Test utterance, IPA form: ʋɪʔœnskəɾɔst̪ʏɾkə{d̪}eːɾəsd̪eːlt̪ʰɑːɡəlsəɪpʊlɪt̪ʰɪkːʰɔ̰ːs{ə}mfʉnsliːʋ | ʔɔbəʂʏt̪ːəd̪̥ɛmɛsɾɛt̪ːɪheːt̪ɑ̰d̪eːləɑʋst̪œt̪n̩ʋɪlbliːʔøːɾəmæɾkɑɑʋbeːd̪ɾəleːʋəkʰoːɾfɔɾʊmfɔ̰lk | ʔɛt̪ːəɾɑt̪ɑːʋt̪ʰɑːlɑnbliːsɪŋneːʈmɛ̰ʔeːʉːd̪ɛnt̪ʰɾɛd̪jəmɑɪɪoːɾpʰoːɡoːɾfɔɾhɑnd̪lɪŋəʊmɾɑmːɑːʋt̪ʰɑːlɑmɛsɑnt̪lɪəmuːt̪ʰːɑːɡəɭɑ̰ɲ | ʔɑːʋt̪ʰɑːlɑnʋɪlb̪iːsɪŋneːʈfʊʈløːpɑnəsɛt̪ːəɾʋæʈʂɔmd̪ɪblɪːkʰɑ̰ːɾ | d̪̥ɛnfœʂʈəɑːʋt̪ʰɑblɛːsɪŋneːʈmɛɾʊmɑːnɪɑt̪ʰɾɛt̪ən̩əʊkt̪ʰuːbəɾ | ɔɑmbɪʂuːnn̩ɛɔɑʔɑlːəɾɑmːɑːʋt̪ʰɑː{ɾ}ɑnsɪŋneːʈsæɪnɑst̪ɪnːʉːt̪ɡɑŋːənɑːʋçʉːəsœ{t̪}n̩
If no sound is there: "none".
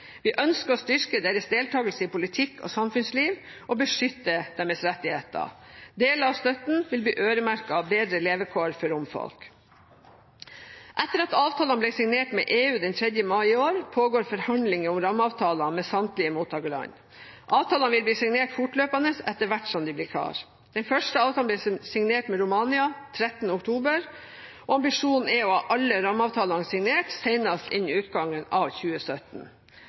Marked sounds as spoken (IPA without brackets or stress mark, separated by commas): d̪, ɑ, l, t̪